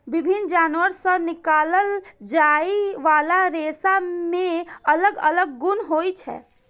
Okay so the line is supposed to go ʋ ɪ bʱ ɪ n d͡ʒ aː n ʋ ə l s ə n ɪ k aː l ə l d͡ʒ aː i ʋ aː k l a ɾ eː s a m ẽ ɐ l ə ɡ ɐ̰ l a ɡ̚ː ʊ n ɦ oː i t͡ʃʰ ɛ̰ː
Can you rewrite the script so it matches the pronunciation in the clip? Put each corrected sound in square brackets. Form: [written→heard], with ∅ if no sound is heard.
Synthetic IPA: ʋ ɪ bʱ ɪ n d͡ʒ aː n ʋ ə [l→ɾ] s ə n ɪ k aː l ə l d͡ʒ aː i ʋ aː [k→∅] l a ɾ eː s a m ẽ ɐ l ə ɡ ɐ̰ l [a→ə] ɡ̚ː ʊ n ɦ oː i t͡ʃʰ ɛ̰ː